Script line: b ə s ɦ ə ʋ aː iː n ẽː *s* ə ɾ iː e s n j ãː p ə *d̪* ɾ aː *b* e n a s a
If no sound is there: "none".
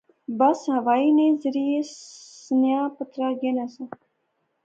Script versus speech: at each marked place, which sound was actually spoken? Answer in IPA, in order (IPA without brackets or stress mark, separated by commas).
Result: z, t̪, ɡ